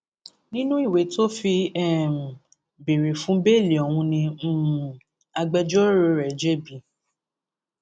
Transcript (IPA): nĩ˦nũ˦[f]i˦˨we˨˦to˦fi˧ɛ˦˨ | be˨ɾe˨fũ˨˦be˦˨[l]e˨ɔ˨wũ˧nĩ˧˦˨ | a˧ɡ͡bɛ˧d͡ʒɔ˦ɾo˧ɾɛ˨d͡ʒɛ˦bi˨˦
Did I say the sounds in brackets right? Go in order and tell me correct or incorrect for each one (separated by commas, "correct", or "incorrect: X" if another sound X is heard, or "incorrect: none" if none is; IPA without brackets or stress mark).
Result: incorrect: none, correct